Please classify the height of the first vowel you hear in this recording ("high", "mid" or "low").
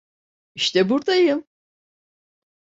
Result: high